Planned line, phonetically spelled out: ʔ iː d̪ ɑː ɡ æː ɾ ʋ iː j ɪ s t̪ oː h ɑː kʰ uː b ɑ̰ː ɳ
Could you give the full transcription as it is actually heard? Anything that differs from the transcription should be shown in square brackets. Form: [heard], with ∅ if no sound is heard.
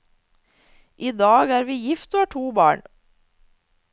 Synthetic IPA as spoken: ʔ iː d̪ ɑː ɡ æː ɾ ʋ iː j ɪ [f] t̪ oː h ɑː [ʈʰ] uː b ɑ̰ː ɳ